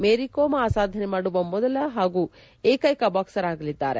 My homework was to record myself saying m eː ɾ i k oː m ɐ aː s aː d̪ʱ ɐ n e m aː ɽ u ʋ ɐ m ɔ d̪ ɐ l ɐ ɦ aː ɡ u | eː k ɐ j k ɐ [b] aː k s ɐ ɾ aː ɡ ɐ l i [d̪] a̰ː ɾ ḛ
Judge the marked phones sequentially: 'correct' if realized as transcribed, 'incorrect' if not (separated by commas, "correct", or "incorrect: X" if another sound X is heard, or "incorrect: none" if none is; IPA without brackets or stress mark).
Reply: correct, incorrect: d̪ː